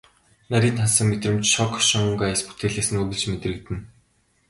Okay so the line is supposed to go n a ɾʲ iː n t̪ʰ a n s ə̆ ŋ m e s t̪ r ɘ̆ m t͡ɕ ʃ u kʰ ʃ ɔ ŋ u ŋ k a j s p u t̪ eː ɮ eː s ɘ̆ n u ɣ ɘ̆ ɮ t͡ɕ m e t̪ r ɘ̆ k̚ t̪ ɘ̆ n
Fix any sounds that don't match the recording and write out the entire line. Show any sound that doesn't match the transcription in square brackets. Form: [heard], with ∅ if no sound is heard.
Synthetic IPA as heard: n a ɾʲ iː n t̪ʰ a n s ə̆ ŋ m e [∅] t̪ r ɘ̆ m t͡ɕ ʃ [ɔ] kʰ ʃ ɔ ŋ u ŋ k a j s p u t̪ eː ɮ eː s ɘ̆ n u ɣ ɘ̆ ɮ t͡ɕ m e t̪ r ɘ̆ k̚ t̪ ɘ̆ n